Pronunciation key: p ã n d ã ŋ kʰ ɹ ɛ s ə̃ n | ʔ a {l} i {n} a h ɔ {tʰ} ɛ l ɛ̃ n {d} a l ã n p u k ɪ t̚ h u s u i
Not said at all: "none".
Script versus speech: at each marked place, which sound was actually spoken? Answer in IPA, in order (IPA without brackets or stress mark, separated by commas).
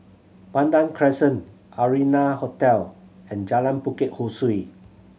ɹ, n, t, d͡ʒ